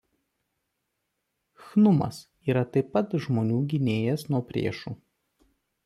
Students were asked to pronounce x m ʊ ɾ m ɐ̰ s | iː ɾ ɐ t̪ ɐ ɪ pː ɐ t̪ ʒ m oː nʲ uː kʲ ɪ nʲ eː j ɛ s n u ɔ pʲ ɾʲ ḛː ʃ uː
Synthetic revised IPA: x n ʊ m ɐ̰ s | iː ɾ ɐ t̪ ɐ ɪ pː ɐ t̪ ʒ m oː nʲ uː ɡʲ ɪ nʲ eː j ɛ s n u ɔ pʲ ɾʲ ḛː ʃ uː